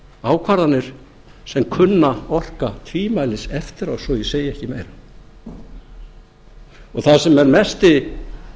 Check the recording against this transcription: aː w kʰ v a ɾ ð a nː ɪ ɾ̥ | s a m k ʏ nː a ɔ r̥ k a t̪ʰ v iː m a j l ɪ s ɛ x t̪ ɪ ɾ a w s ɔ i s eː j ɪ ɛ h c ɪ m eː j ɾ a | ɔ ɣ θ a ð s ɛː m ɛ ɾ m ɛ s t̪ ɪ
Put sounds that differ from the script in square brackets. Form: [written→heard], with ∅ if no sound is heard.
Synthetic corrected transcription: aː w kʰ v a ɾ ð a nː ɪ ɾ̥ | s [a→ɛ] m [k→kʰ] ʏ nː a ɔ r̥ k a t̪ʰ v iː m a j l ɪ s ɛ [x→f] t̪ ɪ ɾ a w s ɔ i s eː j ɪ ɛ h c ɪ m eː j ɾ a | ɔ ɣ θ a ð s [ɛː→ɛ] m ɛ ɾ m ɛ s t̪ ɪ